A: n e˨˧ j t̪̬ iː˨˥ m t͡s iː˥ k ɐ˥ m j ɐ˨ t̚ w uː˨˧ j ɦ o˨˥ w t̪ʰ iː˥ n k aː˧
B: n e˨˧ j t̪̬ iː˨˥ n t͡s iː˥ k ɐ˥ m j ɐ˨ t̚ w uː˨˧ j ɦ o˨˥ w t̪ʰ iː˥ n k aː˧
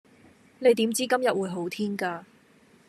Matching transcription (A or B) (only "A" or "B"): A